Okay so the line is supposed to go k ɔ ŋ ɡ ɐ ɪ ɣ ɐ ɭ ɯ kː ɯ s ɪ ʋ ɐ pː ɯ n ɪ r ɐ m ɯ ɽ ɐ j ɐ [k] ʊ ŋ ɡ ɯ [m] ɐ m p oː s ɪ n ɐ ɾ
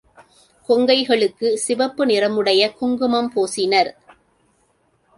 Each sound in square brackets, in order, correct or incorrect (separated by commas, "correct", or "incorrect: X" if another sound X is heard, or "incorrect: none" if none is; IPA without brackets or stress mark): correct, correct